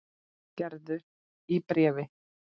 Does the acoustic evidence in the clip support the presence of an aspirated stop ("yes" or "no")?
no